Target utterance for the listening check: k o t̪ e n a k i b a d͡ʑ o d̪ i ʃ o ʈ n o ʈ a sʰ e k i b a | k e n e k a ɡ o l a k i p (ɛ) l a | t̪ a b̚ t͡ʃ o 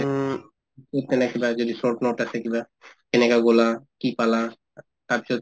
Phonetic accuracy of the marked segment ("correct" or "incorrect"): incorrect